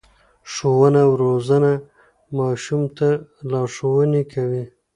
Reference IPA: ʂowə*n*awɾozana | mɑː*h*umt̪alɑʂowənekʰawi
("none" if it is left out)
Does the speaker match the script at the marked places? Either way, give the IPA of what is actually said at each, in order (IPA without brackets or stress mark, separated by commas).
n, ʃ